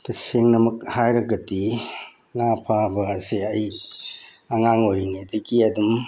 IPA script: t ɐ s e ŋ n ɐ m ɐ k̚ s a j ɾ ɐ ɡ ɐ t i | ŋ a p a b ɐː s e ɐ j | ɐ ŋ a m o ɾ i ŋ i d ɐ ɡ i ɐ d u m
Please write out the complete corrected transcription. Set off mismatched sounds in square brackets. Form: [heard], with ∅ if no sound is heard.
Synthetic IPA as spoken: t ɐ s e ŋ n ɐ m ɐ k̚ [h] a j ɾ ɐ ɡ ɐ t i | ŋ a [pʰ] a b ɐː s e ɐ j | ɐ ŋ a [ŋ] o ɾ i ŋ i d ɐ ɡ i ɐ d u m

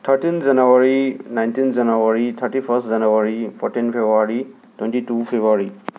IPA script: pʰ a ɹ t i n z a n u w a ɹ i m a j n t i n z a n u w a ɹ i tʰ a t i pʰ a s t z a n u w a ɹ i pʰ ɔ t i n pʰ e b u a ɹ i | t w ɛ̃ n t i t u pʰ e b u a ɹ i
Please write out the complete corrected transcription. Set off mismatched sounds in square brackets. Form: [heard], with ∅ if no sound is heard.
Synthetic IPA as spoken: [tʰ] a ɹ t i n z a n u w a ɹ i [n] a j n t i n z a n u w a ɹ i tʰ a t i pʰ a s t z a n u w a ɹ i pʰ ɔ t i n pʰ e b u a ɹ i | t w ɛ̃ n t i t u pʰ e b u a ɹ i

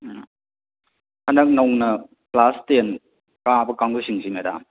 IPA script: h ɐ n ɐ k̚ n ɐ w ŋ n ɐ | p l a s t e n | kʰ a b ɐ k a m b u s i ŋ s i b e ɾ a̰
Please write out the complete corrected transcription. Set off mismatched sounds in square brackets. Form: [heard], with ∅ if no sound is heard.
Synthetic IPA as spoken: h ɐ n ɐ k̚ n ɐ w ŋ n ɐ | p l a s t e n | [k] a b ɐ k a [ŋ] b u s i ŋ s i [m] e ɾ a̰

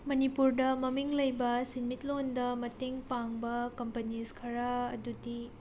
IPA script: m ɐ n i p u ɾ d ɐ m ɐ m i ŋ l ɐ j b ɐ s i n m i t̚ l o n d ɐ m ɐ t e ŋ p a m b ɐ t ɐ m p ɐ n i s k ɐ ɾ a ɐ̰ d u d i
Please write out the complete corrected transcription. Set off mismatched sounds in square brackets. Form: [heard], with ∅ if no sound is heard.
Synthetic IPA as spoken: m ɐ n i p u ɾ d ɐ m ɐ m i ŋ l ɐ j b ɐ s i n m i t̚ l o n d ɐ m ɐ t e ŋ p a [ŋ] b ɐ [k] ɐ m p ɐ n i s [kʰ] ɐ ɾ a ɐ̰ d u d i

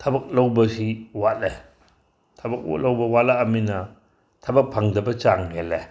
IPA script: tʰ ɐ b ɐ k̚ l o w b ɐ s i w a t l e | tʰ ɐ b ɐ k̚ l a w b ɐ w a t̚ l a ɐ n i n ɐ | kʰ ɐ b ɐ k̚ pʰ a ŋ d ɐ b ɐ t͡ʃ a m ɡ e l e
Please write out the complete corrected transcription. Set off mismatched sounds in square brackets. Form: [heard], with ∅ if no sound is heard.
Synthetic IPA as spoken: tʰ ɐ b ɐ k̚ l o w b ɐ s i w a t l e | tʰ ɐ b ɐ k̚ l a w b ɐ w a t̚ l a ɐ [m] i n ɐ | [tʰ] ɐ b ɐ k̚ pʰ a ŋ d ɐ b ɐ t͡ʃ a [ŋ] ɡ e l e

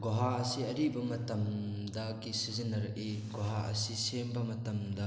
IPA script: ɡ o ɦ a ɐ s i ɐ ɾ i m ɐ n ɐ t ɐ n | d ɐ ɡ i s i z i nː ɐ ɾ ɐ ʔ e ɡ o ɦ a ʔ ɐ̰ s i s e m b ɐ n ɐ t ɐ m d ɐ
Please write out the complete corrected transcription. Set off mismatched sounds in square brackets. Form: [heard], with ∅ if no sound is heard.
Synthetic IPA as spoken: ɡ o ɦ a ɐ s i ɐ ɾ i [b] ɐ [m] ɐ t ɐ [m] | d ɐ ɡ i s i z i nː ɐ ɾ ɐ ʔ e ɡ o ɦ a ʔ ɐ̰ s i s e m b ɐ [m] ɐ t ɐ m d ɐ

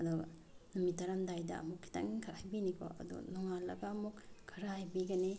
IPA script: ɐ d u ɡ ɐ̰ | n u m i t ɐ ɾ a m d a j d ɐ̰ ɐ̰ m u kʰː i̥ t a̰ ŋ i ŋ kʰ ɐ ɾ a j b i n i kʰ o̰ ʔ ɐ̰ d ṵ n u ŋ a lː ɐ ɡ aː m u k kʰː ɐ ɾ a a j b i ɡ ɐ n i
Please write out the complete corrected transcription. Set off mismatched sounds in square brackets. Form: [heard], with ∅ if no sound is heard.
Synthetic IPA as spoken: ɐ d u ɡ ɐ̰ | n u m i t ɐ ɾ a m d a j d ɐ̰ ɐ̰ m u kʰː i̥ t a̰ ŋ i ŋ kʰ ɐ ɾ a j b i n i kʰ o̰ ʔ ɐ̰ d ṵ n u ŋ a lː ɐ ɡ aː m u k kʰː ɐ ɾ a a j b i ɡ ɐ n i

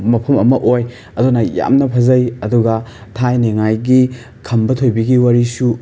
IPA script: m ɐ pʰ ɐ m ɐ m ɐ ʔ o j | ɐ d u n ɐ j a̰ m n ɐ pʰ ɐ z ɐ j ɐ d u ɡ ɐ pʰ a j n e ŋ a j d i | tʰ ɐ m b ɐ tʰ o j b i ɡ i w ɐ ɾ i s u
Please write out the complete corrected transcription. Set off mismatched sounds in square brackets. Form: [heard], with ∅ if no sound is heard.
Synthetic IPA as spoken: m ɐ pʰ ɐ m ɐ m ɐ ʔ o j | ɐ d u n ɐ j a̰ m n ɐ pʰ ɐ z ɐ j ɐ d u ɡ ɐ [tʰ] a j n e ŋ a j [ɡ] i | [kʰ] ɐ m b ɐ tʰ o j b i ɡ i w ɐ ɾ i s u

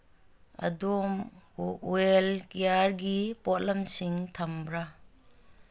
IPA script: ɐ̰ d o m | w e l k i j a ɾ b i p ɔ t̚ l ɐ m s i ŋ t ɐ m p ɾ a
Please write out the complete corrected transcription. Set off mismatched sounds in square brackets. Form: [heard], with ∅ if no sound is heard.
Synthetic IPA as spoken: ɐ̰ d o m | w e l k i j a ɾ [ɡ] i p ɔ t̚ l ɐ m s i ŋ [tʰ] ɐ m [b] ɾ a

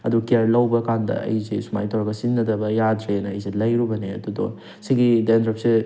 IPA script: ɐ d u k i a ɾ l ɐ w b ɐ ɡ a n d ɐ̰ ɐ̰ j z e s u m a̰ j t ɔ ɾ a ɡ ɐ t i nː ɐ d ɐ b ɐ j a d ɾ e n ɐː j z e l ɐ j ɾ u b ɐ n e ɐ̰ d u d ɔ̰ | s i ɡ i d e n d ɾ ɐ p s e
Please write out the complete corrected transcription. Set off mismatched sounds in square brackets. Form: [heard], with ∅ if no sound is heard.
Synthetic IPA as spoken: ɐ d u k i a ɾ l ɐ w b ɐ [k] a n d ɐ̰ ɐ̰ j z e s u m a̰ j t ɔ ɾ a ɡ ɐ [s] i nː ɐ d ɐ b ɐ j a d ɾ e n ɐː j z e l ɐ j ɾ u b ɐ n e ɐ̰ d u d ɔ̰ | s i ɡ i d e n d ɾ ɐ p s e

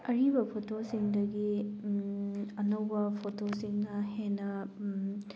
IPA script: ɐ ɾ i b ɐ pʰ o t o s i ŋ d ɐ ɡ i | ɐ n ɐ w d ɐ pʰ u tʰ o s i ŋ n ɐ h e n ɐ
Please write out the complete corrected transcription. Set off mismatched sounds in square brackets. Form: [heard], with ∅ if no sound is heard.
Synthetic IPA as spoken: ɐ ɾ i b ɐ pʰ o t o s i ŋ d ɐ ɡ i | ɐ n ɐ w [b] ɐ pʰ [o] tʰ o s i ŋ n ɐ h e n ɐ

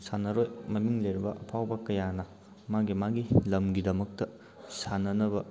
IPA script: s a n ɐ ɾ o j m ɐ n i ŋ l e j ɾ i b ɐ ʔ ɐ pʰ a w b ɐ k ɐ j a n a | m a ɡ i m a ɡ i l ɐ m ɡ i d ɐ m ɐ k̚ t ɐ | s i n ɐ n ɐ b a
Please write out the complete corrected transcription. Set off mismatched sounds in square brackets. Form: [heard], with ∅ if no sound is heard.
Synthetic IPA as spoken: s a n ɐ ɾ o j m ɐ [m] i ŋ l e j ɾ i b ɐ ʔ ɐ pʰ a w b ɐ k ɐ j a n [ɐ] | m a ɡ i m a ɡ i l ɐ m ɡ i d ɐ m ɐ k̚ t ɐ | s [a] n ɐ n ɐ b [ɐ]

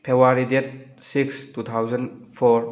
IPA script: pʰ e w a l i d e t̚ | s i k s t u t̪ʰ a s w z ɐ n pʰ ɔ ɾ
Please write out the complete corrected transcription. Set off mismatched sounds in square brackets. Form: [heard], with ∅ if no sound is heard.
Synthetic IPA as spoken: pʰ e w a [ɾ] i d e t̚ | s i k s t u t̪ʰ a [∅] w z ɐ n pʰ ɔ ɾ

